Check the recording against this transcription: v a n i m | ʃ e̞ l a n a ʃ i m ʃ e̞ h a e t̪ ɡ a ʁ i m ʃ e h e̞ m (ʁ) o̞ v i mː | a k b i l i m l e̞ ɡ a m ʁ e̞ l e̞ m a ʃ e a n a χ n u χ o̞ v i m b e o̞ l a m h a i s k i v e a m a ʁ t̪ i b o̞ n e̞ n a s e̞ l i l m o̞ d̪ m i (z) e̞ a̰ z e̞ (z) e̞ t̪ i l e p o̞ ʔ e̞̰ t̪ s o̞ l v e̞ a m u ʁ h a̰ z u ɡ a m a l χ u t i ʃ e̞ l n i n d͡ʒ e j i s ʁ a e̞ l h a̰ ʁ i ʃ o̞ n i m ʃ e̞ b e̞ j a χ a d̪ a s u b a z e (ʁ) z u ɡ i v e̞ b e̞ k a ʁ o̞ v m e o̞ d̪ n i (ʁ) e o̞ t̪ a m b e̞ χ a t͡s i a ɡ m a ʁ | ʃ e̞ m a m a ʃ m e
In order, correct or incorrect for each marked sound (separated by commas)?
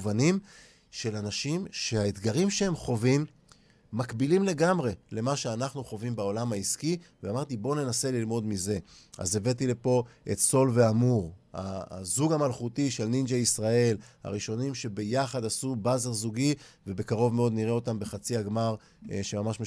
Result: incorrect, correct, incorrect, correct, correct